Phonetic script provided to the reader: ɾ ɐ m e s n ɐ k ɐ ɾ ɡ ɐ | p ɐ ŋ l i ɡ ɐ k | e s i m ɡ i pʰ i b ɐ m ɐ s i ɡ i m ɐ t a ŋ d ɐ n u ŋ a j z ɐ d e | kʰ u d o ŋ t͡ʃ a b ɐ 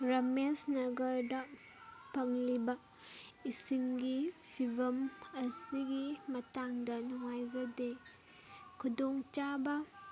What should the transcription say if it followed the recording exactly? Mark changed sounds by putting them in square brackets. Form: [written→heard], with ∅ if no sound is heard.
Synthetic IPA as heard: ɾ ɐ m e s n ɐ [k→ɡ] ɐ ɾ [ɡ→d] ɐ | p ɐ ŋ l i [ɡ→b] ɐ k | [e→i] s i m ɡ i pʰ i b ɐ m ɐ s i ɡ i m ɐ t a ŋ d ɐ n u ŋ a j z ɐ d e | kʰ u d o ŋ t͡ʃ a b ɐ